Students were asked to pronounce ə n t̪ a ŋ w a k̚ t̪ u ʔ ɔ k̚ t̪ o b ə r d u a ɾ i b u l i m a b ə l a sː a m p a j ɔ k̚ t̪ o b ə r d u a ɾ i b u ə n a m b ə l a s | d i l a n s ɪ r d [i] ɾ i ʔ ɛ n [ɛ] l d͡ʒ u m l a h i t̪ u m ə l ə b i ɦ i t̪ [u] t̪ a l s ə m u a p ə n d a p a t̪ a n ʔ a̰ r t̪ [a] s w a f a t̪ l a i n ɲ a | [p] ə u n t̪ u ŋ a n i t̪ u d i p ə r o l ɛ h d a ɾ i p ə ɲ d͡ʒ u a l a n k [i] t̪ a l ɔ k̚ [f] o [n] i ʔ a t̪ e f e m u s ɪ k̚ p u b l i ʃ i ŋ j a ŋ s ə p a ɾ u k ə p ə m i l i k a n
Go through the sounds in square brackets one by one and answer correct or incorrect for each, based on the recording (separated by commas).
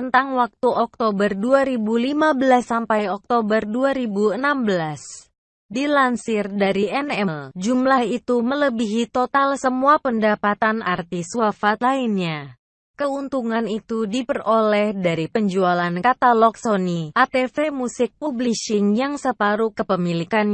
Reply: incorrect, correct, incorrect, incorrect, incorrect, incorrect, incorrect, correct